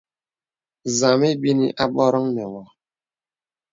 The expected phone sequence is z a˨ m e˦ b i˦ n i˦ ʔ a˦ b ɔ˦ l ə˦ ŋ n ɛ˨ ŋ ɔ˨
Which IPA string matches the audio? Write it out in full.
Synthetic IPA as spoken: z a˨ m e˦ b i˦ n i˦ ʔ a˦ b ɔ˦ ɾ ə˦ ŋ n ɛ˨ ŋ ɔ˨